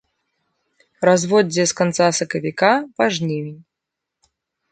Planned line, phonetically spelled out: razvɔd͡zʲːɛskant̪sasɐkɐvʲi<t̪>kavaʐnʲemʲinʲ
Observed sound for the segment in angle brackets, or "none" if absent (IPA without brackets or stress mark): none